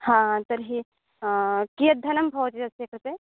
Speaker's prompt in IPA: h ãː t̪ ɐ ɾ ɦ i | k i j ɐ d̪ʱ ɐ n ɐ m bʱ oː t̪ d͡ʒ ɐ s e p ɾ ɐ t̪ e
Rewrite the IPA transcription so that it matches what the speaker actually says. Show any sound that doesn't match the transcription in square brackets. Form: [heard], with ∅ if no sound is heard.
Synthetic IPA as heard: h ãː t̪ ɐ ɾ ɦ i | k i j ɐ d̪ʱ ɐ n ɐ m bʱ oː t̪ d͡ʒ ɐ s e [k] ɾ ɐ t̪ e